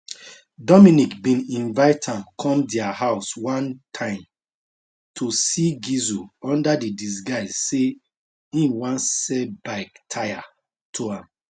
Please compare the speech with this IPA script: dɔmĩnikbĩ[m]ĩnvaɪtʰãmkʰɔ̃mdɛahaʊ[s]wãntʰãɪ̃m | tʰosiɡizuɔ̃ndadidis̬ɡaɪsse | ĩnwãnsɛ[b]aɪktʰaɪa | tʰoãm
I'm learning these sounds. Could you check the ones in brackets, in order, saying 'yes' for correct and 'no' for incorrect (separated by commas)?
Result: no, yes, yes